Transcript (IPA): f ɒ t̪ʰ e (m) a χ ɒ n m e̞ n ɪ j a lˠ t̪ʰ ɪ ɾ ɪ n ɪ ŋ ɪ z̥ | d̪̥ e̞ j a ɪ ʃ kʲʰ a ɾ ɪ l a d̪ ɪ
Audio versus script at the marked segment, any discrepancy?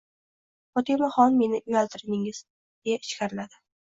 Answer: no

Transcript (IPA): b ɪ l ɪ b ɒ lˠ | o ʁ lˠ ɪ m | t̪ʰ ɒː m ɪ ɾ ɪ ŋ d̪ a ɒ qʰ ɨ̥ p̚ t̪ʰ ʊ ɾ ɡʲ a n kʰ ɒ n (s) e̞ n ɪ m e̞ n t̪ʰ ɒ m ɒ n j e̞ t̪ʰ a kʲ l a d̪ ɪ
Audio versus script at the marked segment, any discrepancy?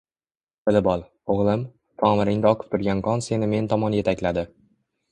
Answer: no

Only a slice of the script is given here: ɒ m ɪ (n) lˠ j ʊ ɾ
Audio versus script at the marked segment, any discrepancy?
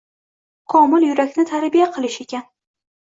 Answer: yes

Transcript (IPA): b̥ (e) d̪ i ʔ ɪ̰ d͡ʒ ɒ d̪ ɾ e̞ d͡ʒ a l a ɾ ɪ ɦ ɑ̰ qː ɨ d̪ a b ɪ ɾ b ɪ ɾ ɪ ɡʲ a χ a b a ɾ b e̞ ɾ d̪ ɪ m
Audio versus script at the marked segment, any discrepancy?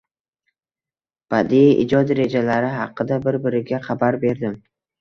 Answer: yes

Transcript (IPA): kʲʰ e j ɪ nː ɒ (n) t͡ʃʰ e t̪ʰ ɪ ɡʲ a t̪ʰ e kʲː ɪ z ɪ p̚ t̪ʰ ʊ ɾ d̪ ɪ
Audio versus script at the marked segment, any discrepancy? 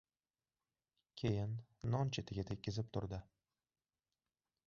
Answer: no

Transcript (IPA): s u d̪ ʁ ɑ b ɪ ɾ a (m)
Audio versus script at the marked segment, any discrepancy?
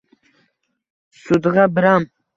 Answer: no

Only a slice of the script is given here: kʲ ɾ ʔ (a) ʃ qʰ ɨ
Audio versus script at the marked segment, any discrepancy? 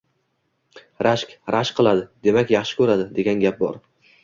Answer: no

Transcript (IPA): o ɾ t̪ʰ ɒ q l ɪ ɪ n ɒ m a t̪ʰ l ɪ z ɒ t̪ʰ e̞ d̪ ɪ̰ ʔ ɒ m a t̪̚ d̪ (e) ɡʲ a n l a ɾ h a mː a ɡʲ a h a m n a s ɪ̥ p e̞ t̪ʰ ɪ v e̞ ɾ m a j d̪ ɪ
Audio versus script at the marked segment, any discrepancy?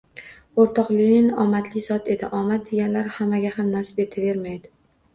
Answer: no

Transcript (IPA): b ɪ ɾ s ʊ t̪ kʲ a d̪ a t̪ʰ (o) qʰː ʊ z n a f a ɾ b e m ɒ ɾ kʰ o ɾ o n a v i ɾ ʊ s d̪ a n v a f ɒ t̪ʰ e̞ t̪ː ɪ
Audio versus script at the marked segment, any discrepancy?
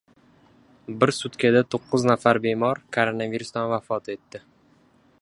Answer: no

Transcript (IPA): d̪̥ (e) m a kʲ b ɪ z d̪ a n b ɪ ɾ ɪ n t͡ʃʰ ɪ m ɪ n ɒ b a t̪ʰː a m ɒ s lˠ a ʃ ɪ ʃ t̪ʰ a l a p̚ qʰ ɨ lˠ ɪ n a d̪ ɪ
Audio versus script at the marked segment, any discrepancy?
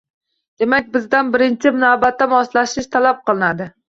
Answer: no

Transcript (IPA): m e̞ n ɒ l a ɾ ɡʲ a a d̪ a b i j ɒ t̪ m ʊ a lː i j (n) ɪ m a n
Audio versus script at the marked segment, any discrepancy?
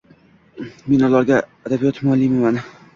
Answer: yes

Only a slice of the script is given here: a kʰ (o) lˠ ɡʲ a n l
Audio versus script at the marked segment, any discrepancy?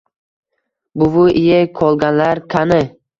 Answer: yes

